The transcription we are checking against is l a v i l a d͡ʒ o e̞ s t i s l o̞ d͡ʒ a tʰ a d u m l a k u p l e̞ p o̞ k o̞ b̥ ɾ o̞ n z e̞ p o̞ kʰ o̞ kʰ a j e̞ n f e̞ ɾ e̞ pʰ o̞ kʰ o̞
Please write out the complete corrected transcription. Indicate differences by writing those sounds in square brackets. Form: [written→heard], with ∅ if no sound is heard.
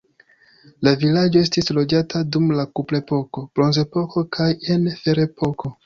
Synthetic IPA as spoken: l a v i l a d͡ʒ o e̞ s t i s l o̞ d͡ʒ a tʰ a d u m l a k u p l e̞ p o̞ k o̞ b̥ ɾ o̞ n z e̞ p o̞ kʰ o̞ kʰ a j e̞ n f e̞ ɾ e̞ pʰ o̞ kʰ o̞